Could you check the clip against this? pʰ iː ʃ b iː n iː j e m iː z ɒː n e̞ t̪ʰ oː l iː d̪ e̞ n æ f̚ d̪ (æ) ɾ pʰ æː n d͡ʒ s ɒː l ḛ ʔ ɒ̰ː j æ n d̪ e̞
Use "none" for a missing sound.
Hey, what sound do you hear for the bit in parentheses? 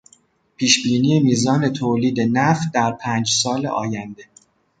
æ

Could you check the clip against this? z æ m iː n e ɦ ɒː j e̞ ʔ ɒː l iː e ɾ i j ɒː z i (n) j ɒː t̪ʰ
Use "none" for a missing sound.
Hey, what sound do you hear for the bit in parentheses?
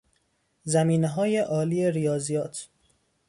none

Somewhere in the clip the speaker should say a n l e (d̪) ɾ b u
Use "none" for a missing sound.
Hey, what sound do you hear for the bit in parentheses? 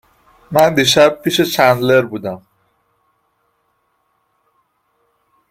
none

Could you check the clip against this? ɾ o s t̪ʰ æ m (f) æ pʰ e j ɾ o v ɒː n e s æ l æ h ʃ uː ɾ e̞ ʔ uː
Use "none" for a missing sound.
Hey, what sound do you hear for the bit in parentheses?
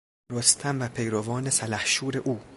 v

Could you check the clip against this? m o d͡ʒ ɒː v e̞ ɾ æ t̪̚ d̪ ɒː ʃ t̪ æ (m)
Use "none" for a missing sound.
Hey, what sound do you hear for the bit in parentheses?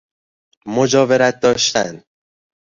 n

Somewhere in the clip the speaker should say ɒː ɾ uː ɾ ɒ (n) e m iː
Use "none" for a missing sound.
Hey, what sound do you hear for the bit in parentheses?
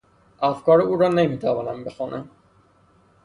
n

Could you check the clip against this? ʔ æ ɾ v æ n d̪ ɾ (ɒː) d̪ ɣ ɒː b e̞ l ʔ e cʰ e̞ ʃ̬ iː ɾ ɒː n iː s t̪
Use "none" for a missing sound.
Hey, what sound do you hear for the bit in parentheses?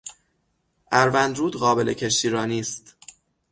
uː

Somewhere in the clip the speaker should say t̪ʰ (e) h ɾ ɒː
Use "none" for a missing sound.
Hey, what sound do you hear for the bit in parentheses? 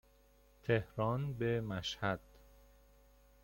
e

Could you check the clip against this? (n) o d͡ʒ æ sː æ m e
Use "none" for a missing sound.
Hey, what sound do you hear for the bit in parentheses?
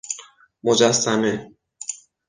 m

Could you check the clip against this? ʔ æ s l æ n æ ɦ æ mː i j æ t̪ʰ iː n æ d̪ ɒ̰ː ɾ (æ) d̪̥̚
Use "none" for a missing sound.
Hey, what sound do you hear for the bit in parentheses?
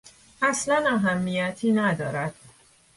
æ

